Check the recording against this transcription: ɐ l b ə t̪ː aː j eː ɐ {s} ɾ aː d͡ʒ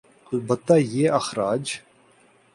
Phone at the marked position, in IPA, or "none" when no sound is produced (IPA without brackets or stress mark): x